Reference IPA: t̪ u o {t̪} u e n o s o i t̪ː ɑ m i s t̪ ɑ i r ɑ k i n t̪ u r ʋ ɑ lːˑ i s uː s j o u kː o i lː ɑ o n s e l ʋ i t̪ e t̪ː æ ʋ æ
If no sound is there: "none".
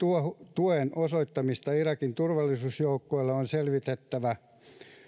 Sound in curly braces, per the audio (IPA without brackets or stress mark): t̪